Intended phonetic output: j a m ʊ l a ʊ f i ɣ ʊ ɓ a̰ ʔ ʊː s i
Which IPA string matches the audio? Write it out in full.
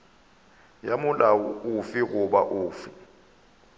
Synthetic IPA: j a m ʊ l a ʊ f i ɣ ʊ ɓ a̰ ʔ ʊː f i